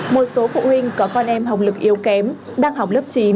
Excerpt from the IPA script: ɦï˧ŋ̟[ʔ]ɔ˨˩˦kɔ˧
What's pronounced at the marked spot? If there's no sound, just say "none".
k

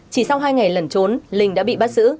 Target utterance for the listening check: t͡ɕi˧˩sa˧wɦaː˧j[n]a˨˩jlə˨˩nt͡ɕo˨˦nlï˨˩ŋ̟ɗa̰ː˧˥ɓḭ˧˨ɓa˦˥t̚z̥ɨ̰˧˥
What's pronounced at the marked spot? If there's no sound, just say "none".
ŋ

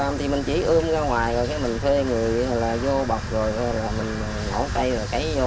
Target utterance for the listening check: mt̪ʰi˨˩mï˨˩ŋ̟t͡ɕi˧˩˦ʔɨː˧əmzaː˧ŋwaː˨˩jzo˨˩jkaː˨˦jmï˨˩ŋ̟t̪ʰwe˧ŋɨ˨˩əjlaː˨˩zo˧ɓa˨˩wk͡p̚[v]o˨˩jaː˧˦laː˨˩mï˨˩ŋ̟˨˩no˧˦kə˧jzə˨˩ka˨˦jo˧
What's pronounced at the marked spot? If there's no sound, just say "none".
z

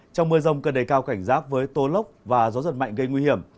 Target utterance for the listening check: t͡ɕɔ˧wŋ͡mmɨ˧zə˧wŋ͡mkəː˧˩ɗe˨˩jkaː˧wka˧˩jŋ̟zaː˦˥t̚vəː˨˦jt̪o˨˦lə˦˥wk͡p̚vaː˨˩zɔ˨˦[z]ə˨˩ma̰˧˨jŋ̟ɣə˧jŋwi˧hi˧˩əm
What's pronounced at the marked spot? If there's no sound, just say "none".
z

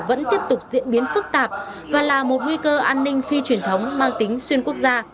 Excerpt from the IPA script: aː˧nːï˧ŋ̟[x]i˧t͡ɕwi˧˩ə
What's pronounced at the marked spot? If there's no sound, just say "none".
f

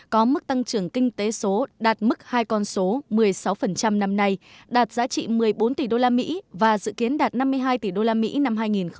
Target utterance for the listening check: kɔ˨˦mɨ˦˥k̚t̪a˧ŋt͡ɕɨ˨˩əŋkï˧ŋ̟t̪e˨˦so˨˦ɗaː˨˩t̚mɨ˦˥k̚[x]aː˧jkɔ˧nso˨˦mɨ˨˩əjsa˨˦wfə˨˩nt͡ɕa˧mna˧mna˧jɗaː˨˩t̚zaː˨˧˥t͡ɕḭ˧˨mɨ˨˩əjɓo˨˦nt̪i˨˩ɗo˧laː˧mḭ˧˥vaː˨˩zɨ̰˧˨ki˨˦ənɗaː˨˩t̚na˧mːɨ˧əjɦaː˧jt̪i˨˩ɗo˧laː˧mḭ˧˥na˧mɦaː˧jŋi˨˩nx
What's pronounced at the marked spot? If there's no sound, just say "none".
h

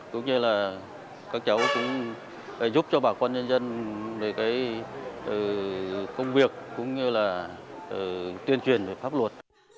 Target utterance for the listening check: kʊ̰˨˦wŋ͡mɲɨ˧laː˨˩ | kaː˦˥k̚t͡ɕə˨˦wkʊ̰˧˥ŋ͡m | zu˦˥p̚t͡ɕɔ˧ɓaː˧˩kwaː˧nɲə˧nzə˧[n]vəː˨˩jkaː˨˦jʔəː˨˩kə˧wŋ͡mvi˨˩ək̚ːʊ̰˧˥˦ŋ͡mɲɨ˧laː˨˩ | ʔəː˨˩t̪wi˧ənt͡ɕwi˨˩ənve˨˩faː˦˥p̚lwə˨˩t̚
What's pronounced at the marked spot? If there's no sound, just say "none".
n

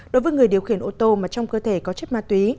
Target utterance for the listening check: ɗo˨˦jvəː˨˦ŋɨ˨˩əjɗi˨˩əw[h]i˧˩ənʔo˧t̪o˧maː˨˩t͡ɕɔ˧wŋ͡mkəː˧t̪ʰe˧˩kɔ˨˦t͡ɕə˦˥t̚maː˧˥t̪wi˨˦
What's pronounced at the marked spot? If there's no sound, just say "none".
x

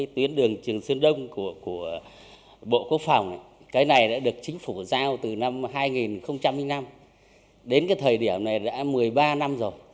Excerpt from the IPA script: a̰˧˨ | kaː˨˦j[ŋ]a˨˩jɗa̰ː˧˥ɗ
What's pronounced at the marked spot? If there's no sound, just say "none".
n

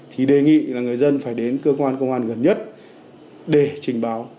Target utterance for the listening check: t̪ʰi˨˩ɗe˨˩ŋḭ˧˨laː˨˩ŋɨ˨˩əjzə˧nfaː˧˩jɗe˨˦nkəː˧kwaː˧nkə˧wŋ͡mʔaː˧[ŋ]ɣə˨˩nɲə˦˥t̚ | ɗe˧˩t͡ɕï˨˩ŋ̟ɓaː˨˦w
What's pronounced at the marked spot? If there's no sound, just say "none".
n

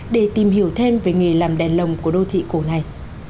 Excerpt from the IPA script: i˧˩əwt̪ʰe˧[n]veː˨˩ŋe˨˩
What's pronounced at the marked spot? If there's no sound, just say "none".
m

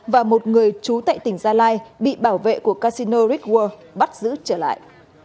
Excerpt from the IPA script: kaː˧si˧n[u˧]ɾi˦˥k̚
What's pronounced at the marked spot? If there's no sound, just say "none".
o˧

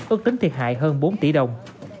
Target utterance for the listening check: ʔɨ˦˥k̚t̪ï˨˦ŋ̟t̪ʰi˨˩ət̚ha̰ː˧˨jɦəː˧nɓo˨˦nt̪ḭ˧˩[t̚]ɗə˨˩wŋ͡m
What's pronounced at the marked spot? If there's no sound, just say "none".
none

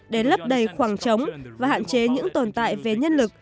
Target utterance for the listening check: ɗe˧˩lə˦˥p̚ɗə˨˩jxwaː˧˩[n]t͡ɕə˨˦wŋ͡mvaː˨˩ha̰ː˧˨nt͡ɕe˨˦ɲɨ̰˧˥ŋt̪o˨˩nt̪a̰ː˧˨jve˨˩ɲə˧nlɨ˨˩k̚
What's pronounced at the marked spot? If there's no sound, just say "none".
ŋ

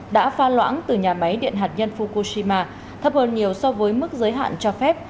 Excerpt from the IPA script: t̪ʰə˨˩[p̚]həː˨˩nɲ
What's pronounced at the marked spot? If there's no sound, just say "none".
p̚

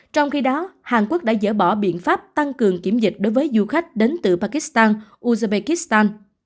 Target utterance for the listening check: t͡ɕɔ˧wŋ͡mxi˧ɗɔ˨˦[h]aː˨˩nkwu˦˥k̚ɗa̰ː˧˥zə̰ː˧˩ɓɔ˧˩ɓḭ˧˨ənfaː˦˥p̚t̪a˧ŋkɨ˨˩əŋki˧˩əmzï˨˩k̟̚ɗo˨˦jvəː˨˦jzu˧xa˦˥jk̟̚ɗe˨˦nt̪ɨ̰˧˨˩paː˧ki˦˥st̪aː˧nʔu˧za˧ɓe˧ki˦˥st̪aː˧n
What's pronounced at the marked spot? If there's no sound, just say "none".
h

